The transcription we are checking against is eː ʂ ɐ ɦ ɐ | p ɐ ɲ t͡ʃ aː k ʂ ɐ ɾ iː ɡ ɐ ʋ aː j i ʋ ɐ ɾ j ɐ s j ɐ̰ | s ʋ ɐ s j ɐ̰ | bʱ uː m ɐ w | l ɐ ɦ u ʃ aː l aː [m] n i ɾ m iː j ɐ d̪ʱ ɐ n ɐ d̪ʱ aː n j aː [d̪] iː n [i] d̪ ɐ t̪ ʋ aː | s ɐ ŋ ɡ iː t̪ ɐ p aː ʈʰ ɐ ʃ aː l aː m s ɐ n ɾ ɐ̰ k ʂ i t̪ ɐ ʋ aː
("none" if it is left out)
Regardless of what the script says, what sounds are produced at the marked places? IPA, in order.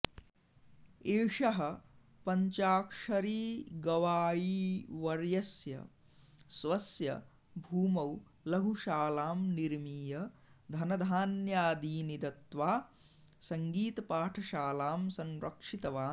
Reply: m, d̪, i

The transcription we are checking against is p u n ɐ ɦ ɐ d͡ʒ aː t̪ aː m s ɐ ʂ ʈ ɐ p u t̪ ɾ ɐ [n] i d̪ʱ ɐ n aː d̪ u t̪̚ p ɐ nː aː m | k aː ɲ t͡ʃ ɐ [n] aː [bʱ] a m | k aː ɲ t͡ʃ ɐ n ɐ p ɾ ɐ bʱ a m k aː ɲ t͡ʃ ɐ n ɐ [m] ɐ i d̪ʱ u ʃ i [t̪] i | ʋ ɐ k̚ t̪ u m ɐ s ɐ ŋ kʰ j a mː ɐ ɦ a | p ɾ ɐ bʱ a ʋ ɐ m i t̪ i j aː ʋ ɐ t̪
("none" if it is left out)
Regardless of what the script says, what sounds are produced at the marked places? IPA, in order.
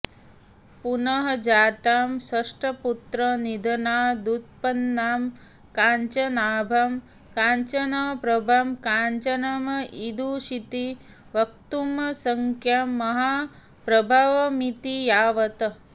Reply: n, n, bʱ, m, t̪

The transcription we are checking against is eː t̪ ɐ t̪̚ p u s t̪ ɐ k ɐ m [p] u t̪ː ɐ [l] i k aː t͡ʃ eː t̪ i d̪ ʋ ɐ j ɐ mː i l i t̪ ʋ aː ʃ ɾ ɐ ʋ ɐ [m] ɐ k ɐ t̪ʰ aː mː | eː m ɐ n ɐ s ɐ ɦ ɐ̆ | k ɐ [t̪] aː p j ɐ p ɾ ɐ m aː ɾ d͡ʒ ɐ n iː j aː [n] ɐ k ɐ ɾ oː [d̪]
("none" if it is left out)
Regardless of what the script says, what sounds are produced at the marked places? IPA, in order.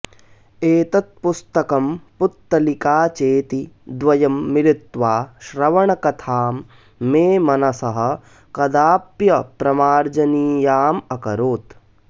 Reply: p, l, ɳ, d̪, m, t̪

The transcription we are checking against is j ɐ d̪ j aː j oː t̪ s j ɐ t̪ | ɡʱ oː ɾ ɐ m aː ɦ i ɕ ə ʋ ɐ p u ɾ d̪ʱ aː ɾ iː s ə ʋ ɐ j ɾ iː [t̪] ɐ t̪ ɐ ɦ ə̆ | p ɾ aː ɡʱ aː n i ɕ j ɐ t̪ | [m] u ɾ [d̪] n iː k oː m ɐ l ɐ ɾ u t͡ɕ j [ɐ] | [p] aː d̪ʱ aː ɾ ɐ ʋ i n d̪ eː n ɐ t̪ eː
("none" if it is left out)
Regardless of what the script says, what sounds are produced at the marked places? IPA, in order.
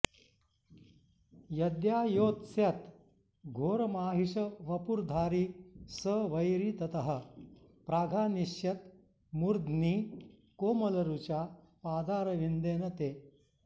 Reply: t̪, m, d̪, a, p

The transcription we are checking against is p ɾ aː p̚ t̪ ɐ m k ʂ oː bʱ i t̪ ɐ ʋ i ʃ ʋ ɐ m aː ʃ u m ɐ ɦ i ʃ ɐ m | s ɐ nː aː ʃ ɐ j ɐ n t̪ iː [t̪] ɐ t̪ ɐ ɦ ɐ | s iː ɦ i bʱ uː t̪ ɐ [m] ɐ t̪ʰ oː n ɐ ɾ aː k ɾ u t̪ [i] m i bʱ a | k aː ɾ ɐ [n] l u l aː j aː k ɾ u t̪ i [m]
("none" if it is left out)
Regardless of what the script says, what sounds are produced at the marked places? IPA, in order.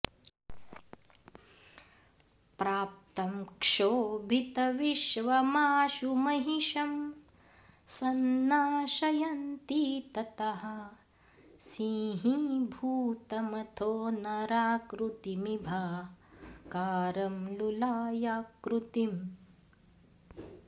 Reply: t̪, m, i, m, m

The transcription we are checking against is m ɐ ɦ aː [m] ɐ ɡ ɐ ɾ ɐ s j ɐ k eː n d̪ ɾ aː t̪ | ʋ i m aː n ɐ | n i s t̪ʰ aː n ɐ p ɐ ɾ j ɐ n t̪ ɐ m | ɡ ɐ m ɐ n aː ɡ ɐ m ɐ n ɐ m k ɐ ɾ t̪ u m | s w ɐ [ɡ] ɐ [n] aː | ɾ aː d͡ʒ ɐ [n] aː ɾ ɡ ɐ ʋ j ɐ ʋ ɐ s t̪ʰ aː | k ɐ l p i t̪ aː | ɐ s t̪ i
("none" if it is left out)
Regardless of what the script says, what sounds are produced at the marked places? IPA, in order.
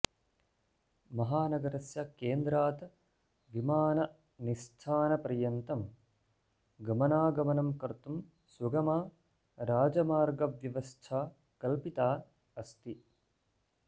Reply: n, ɡ, m, m

